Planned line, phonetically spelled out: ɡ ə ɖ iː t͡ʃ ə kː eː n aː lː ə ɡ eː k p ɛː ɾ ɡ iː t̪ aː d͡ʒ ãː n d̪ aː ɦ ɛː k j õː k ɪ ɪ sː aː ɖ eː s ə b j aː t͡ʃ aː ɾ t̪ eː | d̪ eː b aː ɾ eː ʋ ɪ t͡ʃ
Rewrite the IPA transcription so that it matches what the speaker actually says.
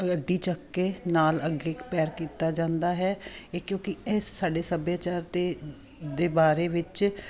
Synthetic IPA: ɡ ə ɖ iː t͡ʃ ə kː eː n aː l ə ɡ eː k p ɛː ɾ k iː t̪ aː d͡ʒ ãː n d̪ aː ɦ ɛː k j õː k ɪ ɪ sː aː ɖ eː s ə b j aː t͡ʃ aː ɾ t̪ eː | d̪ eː b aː ɾ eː ʋ ɪ t͡ʃ